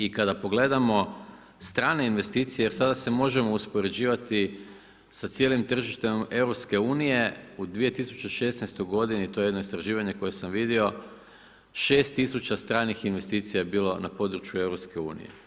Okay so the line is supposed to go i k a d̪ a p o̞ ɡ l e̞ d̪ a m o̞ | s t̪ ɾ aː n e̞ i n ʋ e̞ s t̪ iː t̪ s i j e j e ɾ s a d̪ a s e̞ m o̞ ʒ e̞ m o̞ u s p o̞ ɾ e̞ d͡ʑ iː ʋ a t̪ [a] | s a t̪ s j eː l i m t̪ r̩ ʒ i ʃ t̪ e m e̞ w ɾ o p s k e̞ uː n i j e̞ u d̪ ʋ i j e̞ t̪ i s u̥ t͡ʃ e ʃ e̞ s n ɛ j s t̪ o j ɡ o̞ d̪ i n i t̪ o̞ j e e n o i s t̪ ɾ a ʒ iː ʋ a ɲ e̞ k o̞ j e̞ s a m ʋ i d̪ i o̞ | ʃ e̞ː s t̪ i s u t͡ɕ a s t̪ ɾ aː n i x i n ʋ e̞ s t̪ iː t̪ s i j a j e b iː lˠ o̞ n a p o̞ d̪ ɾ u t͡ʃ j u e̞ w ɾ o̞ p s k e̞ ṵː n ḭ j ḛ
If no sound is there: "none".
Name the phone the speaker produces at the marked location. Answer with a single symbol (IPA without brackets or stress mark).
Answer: i